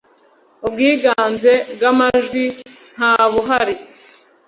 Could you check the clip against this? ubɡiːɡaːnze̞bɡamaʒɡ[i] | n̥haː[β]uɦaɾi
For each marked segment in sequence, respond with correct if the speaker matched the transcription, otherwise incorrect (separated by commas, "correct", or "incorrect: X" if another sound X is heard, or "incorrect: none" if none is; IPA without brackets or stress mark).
correct, correct